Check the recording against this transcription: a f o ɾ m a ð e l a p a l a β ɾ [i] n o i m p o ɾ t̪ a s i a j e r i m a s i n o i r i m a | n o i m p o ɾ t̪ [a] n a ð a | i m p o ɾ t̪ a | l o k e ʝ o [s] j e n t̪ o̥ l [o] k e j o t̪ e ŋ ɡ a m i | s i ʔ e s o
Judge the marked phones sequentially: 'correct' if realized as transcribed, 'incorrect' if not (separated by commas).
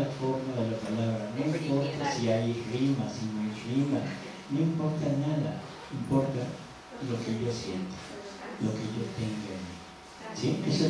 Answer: incorrect, correct, correct, correct